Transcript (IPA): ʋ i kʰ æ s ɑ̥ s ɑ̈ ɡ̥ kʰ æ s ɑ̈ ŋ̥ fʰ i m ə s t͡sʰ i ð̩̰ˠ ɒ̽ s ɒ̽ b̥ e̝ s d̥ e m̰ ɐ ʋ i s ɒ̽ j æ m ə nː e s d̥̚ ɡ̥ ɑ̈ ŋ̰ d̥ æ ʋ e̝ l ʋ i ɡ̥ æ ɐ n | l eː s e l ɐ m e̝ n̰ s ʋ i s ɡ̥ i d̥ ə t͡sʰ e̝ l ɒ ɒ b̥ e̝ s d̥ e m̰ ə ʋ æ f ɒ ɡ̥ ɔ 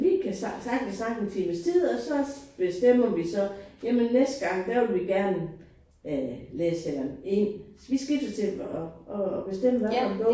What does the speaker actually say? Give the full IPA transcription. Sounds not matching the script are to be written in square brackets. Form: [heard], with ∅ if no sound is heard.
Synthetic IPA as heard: ʋ i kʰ æ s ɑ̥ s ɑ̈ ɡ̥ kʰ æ s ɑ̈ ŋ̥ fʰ i m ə s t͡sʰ i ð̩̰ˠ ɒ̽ s ɒ̽ b̥ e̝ s d̥ e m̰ ɐ ʋ i s ɒ̽ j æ m ə nː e s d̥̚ ɡ̥ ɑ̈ ŋ̰ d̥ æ ʋ e̝ l ʋ i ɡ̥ æ ɐ n | l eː s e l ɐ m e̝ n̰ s ʋ i s ɡ̥ i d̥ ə t͡sʰ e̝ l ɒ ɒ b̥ e̝ s d̥ e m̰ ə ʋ æ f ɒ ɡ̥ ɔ